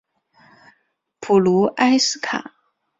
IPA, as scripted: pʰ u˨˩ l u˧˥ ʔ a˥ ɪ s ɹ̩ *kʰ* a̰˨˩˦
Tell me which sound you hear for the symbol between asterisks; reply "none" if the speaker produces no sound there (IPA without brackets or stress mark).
kʰ